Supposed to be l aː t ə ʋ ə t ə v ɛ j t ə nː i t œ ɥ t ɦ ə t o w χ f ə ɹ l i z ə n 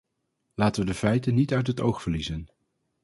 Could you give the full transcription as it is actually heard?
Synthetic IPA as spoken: l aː t ə ʋ ə d ə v ɛ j t ə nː i t œ ɥ t ɦ ə t o w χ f ə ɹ l i z ə n